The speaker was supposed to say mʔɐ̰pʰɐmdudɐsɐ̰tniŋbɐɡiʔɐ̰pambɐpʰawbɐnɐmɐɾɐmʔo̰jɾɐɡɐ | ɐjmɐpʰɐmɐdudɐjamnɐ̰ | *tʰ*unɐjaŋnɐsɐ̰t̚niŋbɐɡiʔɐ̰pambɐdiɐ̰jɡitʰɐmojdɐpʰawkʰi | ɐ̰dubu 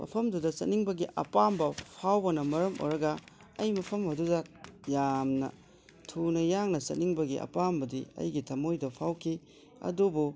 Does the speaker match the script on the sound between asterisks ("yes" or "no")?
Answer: yes